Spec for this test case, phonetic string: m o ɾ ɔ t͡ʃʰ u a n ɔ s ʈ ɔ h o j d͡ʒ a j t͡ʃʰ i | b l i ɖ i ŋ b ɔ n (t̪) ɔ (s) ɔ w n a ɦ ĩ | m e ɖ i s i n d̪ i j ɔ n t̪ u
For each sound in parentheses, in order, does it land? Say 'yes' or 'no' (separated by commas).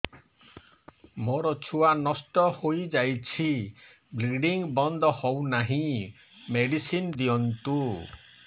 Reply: no, no